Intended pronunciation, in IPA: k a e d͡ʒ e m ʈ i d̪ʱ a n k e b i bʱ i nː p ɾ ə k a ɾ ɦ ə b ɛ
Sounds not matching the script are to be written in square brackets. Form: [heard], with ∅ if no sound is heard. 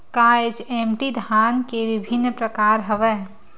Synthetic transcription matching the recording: k a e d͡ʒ e m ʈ i d̪ʱ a n k e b i bʱ i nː p ɾ ə k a ɾ ɦ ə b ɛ